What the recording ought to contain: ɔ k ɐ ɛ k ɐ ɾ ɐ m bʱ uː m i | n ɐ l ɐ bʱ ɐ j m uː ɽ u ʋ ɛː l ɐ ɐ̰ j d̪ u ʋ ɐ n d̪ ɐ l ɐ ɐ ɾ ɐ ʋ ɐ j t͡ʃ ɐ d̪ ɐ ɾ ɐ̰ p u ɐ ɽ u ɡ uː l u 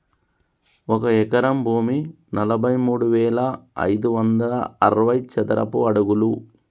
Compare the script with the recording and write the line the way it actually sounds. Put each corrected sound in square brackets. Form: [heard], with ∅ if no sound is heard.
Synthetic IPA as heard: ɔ k ɐ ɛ k ɐ ɾ ɐ m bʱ uː m i | n ɐ l ɐ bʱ ɐ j m uː ɽ u ʋ ɛː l ɐ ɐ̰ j d̪ u ʋ ɐ n d̪ ɐ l ɐ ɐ ɾ ɐ ʋ ɐ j t͡ʃ ɐ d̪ ɐ ɾ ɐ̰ p u ɐ ɽ u ɡ [u] l u